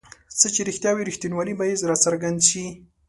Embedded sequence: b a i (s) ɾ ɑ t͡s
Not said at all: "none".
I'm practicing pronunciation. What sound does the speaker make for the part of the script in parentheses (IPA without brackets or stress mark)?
z